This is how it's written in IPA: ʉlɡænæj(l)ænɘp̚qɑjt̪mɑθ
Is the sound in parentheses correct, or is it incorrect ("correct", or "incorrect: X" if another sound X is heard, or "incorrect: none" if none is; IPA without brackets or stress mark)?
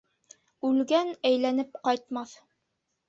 correct